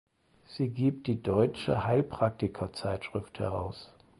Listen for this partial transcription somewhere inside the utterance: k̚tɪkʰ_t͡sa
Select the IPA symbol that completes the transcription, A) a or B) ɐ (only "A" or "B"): B